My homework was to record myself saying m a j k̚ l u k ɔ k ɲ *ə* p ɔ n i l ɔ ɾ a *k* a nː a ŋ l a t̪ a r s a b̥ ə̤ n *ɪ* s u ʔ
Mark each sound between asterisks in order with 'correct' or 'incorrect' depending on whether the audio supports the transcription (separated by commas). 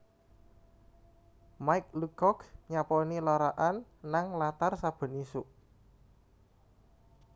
incorrect, incorrect, incorrect